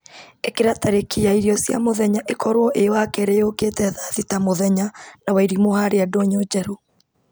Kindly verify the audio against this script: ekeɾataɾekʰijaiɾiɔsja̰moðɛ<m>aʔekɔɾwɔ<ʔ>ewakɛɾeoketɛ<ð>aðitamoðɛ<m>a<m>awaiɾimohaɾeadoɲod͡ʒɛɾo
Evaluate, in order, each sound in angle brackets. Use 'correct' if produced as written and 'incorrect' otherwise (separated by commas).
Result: incorrect, correct, correct, incorrect, incorrect